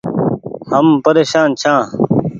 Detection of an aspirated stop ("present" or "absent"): present